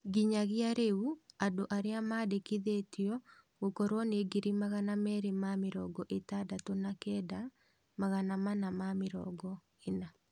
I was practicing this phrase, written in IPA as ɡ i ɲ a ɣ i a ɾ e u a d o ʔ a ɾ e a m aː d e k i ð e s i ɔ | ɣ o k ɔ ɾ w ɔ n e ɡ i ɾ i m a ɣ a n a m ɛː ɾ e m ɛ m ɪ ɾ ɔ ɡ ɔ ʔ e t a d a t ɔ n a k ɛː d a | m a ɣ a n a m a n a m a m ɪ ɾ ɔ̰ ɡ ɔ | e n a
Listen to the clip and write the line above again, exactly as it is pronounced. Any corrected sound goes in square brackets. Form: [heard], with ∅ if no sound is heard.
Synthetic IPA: ɡ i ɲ a ɣ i a ɾ e u a d o ʔ a ɾ e a m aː d e k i ð e [t] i ɔ | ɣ o k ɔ ɾ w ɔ n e ɡ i ɾ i m a ɣ a n a m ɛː ɾ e m [a] m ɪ ɾ ɔ ɡ ɔ ʔ e t a d a t [o] n a k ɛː d a | m a ɣ a n a m a n a m a m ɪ ɾ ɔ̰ ɡ ɔ | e n a